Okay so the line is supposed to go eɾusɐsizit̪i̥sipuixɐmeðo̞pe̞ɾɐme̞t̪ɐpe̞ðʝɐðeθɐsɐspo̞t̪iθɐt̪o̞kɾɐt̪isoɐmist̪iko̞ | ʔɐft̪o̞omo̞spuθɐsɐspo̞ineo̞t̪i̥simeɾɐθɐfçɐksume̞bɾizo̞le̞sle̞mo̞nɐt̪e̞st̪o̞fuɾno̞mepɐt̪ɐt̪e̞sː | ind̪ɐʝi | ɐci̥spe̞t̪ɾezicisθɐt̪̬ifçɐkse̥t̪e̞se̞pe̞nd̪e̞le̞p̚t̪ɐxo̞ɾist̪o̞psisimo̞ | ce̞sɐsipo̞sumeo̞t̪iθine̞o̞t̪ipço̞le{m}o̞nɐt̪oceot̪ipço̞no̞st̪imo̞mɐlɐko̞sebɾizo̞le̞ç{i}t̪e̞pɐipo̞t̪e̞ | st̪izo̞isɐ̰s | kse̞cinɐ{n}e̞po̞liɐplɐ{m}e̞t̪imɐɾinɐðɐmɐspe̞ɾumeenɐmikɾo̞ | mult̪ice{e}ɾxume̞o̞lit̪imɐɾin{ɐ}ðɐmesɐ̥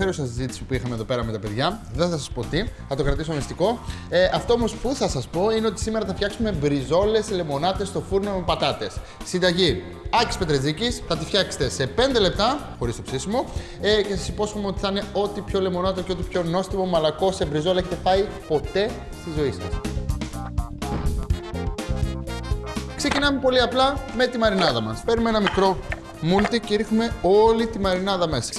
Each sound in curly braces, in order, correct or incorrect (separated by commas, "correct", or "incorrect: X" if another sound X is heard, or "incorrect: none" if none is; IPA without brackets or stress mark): correct, incorrect: e, incorrect: m, correct, incorrect: i, correct